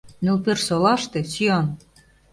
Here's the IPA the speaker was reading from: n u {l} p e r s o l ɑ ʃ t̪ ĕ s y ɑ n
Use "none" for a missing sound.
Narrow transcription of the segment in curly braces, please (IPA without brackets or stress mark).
l